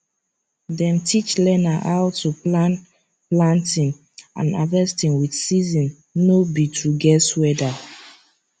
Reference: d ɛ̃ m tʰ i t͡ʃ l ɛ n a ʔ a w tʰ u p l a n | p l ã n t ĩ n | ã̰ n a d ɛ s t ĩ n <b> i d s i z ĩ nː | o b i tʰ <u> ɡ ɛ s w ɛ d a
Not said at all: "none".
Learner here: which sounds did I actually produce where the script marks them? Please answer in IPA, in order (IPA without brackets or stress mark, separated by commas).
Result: w, u